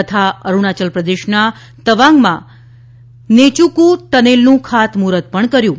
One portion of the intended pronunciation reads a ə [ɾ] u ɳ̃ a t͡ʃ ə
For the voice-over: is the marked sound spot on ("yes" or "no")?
yes